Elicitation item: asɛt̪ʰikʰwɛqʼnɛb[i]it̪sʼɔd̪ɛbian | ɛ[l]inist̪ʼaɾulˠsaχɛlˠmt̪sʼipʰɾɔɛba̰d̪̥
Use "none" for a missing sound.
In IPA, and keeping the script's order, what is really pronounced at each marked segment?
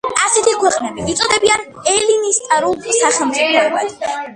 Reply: i, l

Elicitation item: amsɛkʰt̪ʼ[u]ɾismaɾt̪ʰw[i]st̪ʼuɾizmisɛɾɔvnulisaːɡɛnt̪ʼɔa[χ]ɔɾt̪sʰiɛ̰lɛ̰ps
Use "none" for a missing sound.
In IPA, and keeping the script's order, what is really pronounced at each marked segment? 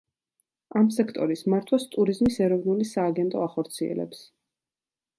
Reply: ɔ, a, χ

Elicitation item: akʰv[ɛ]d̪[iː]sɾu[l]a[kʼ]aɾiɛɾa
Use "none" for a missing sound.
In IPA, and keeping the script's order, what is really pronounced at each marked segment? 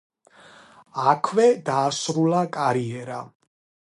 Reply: ɛ, aː, l, kʼ

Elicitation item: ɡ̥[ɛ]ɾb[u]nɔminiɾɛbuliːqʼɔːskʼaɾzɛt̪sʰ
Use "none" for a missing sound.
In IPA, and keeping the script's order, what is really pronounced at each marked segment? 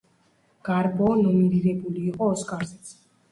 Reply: a, ɔ

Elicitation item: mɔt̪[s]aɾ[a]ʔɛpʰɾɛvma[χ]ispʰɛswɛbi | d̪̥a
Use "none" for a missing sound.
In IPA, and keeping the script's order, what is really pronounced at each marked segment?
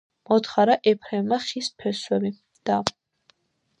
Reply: χ, a, χ

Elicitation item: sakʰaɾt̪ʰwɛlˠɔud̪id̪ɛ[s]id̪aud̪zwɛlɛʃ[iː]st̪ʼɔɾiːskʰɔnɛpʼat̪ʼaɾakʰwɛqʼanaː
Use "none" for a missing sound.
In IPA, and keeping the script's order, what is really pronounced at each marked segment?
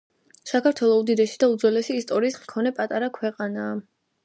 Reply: ʃ, iː

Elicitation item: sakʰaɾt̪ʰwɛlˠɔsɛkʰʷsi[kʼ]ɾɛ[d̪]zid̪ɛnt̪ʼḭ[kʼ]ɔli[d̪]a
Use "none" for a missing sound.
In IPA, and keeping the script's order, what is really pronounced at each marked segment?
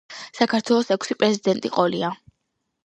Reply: pʼ, none, qʼ, none

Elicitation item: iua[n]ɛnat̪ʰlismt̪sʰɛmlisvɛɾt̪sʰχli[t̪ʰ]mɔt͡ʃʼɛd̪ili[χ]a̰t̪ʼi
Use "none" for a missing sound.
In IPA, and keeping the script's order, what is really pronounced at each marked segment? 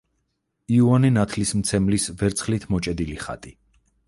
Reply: n, t̪ʰ, χ

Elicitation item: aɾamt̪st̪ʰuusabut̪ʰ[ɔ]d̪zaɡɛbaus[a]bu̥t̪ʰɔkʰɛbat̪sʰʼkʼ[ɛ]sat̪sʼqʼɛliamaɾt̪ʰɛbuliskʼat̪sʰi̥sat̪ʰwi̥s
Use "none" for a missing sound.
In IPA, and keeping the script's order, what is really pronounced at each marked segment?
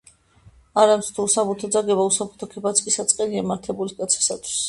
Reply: ɔ, a, i

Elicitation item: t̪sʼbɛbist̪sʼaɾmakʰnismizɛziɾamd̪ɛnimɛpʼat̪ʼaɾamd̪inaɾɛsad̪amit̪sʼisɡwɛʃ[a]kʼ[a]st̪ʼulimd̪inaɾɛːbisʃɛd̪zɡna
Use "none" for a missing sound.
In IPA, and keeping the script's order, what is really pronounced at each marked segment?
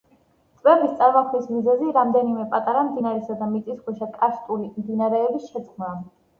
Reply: a, a

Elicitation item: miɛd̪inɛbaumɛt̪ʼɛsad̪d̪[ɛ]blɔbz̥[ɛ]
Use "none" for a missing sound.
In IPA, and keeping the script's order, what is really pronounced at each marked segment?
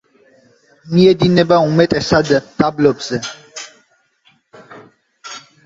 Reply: a, ɛ

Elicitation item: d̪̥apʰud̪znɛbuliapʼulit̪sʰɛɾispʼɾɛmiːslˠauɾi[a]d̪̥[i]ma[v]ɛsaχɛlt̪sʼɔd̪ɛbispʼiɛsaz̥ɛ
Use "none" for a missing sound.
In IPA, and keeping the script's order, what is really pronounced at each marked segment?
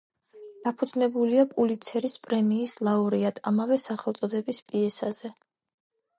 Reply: a, a, v

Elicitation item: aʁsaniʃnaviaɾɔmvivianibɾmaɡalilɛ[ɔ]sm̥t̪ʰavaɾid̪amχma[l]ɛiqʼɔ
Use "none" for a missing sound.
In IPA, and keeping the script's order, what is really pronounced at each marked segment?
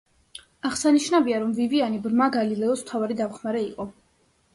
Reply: ɔ, ɾ

